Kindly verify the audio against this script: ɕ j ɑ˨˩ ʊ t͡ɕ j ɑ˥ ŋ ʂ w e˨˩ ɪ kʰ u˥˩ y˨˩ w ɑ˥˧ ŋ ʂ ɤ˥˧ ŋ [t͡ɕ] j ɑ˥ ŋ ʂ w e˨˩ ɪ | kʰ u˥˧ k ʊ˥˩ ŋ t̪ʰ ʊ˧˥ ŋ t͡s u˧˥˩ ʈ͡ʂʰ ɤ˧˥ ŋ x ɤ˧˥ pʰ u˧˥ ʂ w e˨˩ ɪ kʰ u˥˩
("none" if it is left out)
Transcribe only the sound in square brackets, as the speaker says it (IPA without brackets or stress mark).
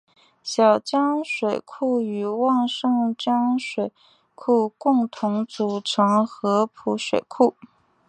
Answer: t͡ɕ